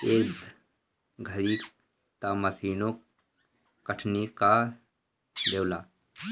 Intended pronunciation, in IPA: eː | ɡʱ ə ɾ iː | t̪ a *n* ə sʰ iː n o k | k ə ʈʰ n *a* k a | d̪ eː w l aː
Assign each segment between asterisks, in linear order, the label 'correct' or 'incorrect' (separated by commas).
incorrect, incorrect